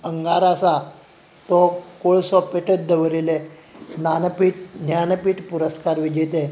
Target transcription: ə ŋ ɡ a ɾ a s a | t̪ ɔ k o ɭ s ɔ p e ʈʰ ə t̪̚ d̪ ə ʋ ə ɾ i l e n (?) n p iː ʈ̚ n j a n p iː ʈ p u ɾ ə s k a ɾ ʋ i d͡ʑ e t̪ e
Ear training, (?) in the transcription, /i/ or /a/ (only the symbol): a